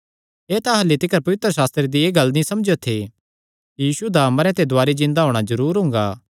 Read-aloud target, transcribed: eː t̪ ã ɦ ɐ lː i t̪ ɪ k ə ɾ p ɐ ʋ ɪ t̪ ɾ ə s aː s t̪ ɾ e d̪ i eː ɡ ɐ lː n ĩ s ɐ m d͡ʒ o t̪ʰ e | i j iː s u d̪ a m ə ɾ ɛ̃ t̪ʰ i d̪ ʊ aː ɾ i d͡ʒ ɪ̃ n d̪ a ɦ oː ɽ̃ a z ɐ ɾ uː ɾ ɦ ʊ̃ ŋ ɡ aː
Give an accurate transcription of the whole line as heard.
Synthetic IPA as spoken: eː t̪ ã ɦ ɐ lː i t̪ ɪ k ə ɾ p ɐ ʋ ɪ t̪ ɾ ə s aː s t̪ ɾ e d̪ i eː ɡ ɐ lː n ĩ s ɐ m d͡ʒ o t̪ʰ e | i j iː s u d̪ a m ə ɾ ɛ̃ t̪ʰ e d̪ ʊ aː ɾ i d͡ʒ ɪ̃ n d̪ a ɦ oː ɽ̃ a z ɐ ɾ uː ɾ ɦ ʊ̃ ŋ ɡ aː